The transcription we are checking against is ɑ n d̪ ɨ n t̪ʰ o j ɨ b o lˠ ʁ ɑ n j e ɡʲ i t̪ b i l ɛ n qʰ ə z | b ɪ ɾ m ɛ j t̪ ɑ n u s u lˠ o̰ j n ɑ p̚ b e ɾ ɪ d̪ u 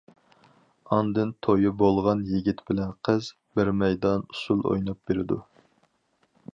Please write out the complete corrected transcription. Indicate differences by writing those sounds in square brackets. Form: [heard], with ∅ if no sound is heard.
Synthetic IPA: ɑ n d̪ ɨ n t̪ʰ o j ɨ b o lˠ ʁ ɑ n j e ɡʲ i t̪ b [ɪ] l ɛ n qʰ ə z | b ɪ ɾ m ɛ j [d̪] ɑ n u s u lˠ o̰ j n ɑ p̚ b e ɾ ɪ d̪ u